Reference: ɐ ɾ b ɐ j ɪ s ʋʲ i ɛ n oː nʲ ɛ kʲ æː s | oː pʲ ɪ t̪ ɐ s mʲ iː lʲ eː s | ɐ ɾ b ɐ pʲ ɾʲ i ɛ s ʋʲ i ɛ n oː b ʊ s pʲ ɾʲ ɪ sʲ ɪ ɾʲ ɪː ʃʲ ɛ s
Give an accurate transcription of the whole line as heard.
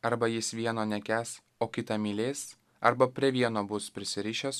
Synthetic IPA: ɐ ɾ b ɐ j ɪ s ʋʲ i ɛ n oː nʲ ɛ kʲ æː s | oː kʲ ɪ t̪ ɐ mʲ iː lʲ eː s | ɐ ɾ b ɐ pʲ ɾʲ i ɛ ʋʲ i ɛ n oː b ʊ s pʲ ɾʲ ɪ sʲ ɪ ɾʲ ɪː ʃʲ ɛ s